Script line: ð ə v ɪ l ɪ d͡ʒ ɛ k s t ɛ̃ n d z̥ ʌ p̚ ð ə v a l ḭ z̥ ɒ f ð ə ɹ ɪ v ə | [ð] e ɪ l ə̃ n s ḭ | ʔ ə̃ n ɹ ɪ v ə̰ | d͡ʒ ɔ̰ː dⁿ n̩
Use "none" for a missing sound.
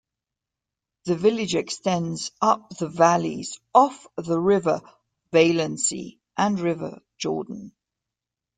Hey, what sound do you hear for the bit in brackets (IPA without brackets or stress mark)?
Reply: v